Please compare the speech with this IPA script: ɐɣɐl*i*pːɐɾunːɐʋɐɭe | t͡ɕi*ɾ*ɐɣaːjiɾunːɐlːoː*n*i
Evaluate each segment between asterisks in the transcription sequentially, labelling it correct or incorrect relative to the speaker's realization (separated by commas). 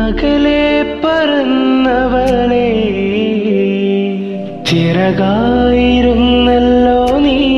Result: incorrect, correct, correct